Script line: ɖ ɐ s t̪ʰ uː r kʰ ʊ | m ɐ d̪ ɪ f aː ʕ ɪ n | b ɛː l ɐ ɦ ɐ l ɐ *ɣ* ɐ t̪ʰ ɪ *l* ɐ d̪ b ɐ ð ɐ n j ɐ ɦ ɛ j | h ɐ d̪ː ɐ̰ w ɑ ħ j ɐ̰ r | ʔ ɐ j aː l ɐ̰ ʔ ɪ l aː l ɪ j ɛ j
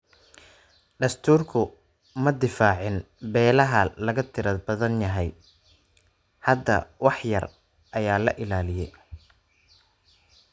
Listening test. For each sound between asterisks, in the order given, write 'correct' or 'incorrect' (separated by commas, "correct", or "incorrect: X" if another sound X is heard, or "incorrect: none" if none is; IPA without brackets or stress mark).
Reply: correct, incorrect: ɾ